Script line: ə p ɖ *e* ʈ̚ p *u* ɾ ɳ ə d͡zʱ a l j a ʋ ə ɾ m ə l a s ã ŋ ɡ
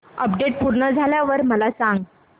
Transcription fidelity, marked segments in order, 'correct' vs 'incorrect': correct, correct

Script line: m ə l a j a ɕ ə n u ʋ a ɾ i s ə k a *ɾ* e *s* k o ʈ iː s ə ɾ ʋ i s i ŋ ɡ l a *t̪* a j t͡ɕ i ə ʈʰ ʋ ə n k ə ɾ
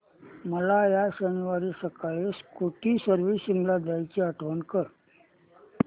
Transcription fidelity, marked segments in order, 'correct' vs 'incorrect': incorrect: ɭ, correct, incorrect: d̪

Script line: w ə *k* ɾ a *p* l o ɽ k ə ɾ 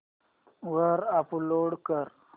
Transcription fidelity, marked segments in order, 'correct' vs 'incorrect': incorrect: none, correct

